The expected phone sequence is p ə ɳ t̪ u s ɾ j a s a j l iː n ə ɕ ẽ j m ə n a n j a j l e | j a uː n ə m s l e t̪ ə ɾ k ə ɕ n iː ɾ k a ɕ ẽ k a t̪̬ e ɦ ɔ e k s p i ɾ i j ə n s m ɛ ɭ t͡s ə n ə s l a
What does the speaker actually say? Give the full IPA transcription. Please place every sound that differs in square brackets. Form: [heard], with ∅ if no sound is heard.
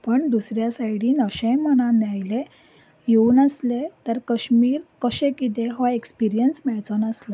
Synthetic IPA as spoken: p ə ɳ [d̪] u s ɾ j a s a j [ɽ] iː n ə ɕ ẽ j m ə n a n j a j l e | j [e] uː n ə [∅] s l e t̪ ə ɾ k ə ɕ [m] iː ɾ k [ə] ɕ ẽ k [i] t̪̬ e ɦ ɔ e k s p i ɾ i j ə n s m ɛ ɭ t͡s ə n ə s l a